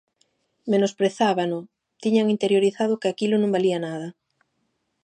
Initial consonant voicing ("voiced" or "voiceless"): voiced